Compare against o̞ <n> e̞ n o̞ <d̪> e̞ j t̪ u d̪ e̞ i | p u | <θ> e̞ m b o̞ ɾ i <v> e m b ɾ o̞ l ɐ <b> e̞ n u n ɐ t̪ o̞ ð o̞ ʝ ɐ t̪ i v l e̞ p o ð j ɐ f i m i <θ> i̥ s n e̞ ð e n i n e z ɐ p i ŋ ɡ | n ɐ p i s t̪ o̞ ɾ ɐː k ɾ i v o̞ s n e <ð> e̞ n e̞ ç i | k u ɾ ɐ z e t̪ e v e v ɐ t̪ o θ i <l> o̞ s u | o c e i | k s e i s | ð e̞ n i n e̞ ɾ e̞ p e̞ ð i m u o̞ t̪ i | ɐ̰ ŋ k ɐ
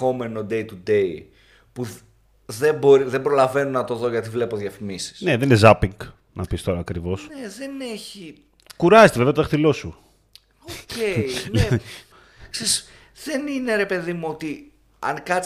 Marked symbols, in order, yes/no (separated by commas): no, yes, no, no, no, no, yes, yes